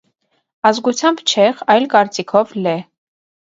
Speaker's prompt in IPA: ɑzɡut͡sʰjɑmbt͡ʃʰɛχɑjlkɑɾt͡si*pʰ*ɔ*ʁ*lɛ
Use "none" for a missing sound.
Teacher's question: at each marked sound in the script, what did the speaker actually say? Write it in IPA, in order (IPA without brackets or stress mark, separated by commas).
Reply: kʰ, v